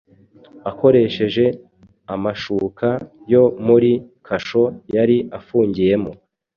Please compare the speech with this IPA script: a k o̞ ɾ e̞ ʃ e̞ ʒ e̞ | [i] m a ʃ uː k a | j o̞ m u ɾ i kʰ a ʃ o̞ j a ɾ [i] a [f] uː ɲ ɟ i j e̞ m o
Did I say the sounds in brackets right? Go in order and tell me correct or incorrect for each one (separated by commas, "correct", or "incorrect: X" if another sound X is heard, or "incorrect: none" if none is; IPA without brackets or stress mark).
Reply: incorrect: a, correct, correct